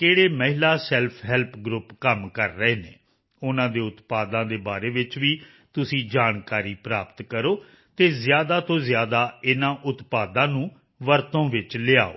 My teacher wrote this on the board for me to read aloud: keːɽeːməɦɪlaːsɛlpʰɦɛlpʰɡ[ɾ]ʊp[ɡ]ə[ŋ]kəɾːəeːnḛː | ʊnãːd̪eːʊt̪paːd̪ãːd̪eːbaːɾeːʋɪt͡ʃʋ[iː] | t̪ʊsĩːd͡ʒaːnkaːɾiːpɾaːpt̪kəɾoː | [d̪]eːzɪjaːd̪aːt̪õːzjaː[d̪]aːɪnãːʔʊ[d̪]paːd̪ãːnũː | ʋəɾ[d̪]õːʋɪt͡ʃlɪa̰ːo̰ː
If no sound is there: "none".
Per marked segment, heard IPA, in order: ɾ, k, m, iː, t̪, d̪, t̪, t̪

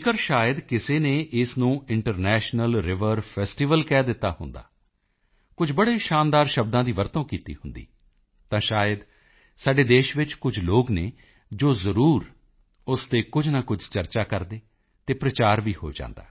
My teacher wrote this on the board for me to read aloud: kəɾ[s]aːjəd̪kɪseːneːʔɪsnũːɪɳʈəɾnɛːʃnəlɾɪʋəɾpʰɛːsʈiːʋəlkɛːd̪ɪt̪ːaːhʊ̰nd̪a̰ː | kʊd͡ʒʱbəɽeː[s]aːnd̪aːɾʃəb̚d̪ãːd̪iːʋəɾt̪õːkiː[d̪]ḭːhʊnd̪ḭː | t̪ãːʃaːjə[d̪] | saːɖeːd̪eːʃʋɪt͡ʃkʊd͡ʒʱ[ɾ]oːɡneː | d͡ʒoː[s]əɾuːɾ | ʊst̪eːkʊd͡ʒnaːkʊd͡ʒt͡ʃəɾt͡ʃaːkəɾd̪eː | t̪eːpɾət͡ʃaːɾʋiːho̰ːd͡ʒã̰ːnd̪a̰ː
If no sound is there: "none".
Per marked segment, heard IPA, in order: ʃ, ʃ, t̪, d̪, l, z

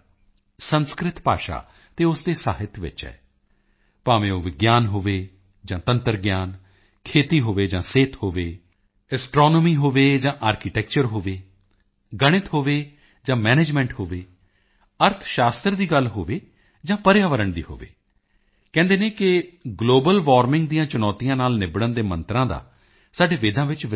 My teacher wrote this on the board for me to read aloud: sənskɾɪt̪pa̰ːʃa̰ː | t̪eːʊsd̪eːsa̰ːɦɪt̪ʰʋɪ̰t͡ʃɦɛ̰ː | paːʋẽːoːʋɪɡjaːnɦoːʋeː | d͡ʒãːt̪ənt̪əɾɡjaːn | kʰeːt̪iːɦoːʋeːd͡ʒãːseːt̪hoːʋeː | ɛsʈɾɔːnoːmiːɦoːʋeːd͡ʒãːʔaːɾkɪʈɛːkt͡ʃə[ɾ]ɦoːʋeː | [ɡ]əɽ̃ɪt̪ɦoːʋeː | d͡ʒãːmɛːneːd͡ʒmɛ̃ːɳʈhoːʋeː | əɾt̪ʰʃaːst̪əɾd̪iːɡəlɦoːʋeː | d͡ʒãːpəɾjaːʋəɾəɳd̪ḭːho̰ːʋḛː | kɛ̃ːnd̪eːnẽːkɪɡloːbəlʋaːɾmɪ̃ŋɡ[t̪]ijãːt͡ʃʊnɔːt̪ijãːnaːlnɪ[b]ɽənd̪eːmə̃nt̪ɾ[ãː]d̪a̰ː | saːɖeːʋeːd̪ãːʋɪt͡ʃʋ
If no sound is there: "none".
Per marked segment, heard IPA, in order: ɾ, ɡ, d̪, b, ãː

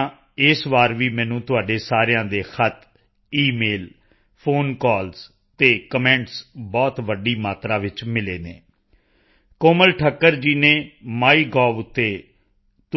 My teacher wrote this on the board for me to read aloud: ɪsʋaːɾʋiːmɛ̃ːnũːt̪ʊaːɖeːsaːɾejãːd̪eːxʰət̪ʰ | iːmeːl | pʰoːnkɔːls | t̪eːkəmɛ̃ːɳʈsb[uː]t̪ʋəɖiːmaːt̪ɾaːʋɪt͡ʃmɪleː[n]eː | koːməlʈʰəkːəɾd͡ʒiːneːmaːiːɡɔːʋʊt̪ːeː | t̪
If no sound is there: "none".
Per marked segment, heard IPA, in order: ɔː, n

